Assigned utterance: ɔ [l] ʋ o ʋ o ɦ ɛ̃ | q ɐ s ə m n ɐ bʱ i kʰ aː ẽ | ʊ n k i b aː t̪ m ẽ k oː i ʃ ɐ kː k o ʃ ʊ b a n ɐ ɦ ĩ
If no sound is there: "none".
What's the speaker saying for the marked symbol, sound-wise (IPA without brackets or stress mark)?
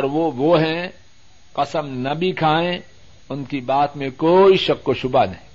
ɾ